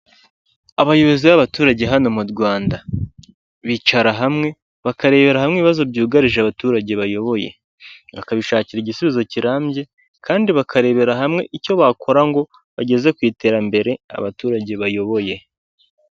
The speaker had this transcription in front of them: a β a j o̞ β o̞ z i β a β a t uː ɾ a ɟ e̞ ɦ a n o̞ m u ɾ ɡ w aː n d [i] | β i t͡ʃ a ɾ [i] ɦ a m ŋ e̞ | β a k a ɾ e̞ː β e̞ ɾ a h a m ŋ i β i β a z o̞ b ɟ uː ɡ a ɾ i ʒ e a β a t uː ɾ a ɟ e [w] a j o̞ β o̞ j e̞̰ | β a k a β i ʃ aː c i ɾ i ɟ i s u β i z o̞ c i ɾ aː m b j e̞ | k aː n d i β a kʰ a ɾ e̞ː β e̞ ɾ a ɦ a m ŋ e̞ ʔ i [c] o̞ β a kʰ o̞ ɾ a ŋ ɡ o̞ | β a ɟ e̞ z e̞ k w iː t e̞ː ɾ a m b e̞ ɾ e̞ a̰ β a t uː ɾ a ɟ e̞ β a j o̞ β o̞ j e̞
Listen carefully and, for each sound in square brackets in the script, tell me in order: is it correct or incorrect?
incorrect: a, incorrect: a, incorrect: β, correct

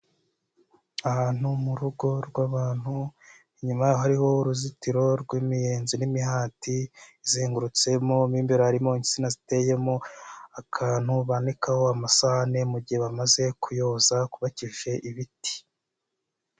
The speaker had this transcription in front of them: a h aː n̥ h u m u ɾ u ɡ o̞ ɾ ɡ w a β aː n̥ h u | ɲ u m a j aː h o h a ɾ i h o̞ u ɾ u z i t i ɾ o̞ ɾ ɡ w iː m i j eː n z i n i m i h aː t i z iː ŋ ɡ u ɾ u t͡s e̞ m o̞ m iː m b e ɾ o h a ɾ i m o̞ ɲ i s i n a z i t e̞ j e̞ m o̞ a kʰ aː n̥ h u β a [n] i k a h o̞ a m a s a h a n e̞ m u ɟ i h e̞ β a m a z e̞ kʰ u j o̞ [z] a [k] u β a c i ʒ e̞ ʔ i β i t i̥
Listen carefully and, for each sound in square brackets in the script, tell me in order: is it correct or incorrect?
correct, correct, correct

